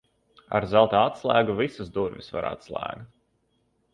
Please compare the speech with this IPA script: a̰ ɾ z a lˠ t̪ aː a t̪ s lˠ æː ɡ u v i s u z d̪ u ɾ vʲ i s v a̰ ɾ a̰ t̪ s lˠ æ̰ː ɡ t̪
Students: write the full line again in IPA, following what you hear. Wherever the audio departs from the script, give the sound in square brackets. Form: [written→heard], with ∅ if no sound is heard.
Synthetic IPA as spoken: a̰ ɾ z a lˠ t̪ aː a t̪ s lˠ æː ɡ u v i s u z d̪ u ɾ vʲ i s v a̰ ɾ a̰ t̪ s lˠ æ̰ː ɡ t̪